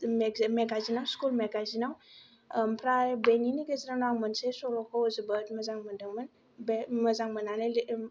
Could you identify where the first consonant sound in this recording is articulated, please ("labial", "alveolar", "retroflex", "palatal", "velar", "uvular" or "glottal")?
labial